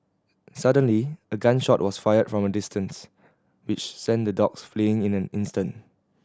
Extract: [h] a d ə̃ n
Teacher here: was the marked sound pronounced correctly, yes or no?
no